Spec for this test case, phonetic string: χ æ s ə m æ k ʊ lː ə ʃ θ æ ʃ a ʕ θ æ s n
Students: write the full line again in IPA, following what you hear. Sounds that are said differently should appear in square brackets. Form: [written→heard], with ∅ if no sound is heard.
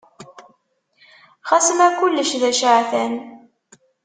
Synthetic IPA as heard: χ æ s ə m æ k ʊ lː ə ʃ [θ→ð] æ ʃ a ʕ θ æ [s→∅] n